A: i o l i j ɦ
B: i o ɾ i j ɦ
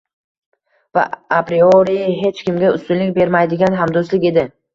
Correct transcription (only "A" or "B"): B